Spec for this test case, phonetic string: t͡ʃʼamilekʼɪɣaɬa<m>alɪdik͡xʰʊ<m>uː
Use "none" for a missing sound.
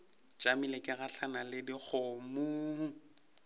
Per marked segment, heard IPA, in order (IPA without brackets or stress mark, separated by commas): n, m